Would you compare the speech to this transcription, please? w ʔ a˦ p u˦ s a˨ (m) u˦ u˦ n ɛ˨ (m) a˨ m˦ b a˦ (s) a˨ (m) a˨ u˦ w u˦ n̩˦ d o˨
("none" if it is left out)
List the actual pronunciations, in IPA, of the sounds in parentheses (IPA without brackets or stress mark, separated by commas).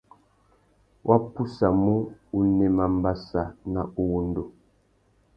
m, m, s, n